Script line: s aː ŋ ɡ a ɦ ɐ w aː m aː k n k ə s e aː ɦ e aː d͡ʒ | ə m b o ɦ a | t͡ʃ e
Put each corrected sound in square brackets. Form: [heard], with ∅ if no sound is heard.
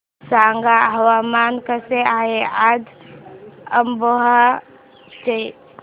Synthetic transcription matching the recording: s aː ŋ ɡ a ɦ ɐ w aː m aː [∅] n k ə s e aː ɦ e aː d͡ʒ | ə m b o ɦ a | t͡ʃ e